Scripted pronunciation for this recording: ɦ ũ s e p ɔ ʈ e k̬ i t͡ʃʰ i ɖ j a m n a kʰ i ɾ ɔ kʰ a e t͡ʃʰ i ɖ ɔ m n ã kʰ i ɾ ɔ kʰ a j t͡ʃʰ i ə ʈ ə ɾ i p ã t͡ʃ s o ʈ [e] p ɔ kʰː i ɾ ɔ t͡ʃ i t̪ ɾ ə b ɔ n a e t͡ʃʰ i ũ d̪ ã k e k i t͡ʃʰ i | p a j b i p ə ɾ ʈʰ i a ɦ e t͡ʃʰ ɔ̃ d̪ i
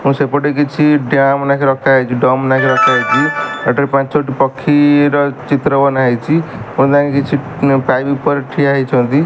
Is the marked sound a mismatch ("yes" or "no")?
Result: yes